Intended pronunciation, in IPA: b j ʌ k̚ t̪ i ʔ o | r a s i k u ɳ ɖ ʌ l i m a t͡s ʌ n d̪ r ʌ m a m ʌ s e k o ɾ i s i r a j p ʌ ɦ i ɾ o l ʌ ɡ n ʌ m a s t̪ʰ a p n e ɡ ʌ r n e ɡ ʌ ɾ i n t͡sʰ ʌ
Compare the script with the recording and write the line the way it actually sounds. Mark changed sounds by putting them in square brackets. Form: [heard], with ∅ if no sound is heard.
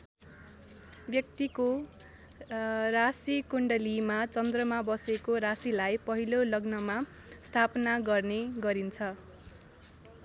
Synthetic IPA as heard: b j ʌ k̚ t̪ i [k] o | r a s i k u ɳ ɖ ʌ l i m a t͡s ʌ n d̪ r ʌ m a [b] ʌ s e k o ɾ [a] s i [l] a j p ʌ ɦ i [l] o l ʌ ɡ n ʌ m a s t̪ʰ a p n [a] ɡ ʌ r n e ɡ ʌ ɾ i n t͡sʰ ʌ